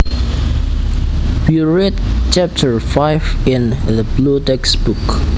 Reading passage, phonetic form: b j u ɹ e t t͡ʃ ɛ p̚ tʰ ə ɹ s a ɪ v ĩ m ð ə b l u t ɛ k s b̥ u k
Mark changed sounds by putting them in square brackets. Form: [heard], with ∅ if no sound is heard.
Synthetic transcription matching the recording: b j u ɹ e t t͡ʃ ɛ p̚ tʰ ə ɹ [f] a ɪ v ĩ [n] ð ə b l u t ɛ k s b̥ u k